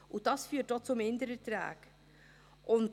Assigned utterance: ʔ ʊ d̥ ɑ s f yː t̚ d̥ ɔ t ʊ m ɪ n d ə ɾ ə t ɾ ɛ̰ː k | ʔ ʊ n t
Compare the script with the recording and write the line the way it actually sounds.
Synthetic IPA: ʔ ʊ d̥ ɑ s f yː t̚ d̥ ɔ t͡s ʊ m ɪ n d ə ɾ ə t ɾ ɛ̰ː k | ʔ ʊ n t

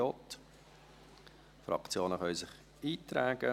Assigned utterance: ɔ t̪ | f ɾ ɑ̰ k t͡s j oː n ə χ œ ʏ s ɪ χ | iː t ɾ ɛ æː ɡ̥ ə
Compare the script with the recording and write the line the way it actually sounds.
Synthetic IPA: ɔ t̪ | f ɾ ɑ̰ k t͡s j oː n ə χ œ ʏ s ɪ χ | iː t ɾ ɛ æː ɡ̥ ə

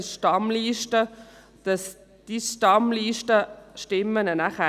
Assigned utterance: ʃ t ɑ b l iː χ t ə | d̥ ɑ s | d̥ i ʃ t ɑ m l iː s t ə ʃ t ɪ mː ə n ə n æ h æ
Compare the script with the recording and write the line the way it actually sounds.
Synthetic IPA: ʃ t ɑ m l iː ʃ t ə | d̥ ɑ s | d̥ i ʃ t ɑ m l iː ʃ t ə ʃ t ɪ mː ə n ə n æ χ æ

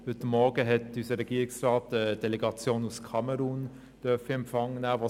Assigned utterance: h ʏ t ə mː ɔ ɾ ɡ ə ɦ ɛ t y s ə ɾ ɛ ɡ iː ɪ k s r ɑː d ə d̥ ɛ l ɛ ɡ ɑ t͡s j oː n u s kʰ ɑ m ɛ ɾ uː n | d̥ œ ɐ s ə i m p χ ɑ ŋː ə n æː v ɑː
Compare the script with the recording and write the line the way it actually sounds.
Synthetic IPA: h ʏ t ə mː ɔ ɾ ɡ ə ɦ ɛ t y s ə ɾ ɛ ɡ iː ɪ k s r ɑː t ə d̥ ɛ l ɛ ɡ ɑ t͡s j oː n u s kʰ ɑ m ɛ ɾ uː n | d̥ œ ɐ f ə ɛ m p f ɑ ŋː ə n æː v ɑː

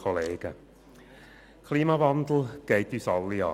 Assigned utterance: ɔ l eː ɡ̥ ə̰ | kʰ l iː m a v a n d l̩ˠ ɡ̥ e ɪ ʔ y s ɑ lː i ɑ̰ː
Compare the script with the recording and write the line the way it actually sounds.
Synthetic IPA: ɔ l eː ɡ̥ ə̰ | kʰ l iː m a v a n d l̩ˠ ɡ̥ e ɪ t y s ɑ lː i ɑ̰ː

